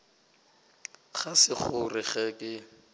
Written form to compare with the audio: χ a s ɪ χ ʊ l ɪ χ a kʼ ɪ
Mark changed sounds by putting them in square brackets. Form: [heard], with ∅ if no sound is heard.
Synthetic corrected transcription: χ a s ɪ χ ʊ [r] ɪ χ [ɛ] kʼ ɪ